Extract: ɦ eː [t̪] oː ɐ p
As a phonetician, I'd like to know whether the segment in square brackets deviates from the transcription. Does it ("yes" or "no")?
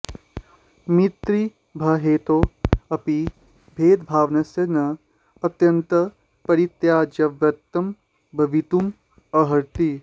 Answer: no